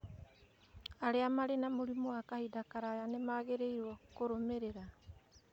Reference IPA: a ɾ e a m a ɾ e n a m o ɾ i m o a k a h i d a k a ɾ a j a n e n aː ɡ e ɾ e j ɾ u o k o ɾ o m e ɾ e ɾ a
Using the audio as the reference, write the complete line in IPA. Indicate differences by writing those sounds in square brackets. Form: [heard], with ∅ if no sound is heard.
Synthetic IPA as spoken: a ɾ e a m a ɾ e n a m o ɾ i m o a k a h i d a k a ɾ a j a n e [m] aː ɡ e ɾ e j ɾ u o k o ɾ o m e ɾ e ɾ a